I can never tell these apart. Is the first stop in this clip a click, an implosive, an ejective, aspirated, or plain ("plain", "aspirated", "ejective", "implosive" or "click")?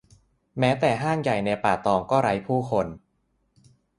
plain